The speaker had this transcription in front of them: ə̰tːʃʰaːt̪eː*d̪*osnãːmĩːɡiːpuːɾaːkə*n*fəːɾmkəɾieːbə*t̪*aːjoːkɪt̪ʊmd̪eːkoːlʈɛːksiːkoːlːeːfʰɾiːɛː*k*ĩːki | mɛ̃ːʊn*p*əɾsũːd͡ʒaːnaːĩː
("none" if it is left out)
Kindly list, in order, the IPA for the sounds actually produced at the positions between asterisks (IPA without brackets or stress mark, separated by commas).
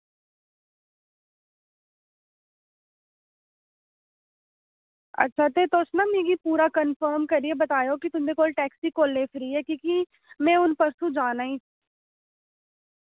t̪, n, t̪, k, p